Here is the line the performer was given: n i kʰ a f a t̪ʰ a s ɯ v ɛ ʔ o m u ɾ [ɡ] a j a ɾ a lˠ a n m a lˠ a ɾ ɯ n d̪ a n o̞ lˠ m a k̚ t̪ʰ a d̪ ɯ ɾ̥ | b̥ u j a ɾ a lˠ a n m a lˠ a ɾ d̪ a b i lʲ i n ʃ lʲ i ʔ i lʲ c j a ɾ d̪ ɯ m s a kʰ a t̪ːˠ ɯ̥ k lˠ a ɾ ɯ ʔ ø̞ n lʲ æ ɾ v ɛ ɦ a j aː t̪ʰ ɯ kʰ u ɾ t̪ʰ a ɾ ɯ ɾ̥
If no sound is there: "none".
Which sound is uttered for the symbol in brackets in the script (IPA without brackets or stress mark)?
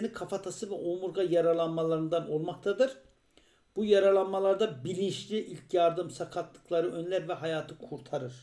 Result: ɡ